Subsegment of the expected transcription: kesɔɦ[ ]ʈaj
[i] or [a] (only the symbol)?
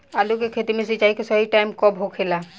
i